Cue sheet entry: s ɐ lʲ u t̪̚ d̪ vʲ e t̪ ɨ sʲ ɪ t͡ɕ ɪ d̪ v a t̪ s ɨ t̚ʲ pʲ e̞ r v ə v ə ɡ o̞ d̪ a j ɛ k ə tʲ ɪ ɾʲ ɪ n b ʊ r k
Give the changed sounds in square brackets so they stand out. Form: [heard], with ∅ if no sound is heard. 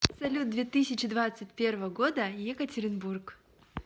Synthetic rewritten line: s ɐ lʲ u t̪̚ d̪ vʲ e t̪ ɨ sʲ ɪ t͡ɕ ɪ d̪ v a t̪ s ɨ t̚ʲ pʲ e̞ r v ə v ə ɡ o̞ d̪ [ə] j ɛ k ə tʲ ɪ ɾʲ ɪ n b [u] r k